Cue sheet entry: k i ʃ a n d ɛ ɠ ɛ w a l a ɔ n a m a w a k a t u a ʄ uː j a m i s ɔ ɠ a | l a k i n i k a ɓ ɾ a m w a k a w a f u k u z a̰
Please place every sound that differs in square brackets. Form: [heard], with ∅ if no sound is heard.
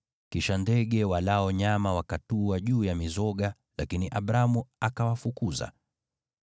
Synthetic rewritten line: k i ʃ a n d ɛ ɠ ɛ w a l a ɔ [ɲ] a m a w a k a t u a ʄ uː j a m i [z] ɔ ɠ a | l a k i n i [ʔ] a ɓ ɾ a m [u] a k a w a f u k u z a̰